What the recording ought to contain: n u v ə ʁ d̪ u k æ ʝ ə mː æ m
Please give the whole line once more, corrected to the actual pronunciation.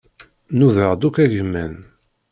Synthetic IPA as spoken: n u ð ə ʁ d̪ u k æ ʝ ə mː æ n